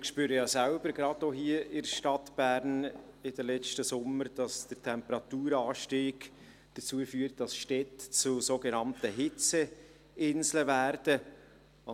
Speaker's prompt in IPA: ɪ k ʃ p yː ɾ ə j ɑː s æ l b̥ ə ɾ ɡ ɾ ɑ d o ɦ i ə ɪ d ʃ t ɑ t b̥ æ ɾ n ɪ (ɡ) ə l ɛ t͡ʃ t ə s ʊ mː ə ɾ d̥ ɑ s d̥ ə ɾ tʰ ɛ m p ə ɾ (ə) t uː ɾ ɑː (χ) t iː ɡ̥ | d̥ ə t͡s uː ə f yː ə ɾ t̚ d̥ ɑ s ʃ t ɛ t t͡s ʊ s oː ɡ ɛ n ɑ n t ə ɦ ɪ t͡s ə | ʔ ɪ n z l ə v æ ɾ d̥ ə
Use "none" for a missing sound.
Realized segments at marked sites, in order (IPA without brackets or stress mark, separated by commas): d, ɑ, ʃ